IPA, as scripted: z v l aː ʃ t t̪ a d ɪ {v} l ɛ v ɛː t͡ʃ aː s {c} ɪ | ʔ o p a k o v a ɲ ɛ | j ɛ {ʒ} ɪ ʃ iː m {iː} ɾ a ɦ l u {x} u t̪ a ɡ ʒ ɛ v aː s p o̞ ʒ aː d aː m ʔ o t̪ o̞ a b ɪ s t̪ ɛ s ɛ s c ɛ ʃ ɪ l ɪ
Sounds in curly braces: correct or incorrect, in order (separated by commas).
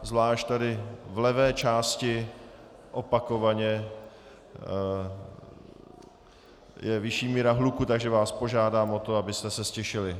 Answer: correct, correct, incorrect, correct, incorrect